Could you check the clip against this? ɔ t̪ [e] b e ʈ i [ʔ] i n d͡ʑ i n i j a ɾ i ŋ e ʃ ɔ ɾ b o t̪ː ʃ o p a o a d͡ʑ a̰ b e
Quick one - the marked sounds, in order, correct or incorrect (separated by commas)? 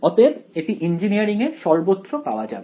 correct, correct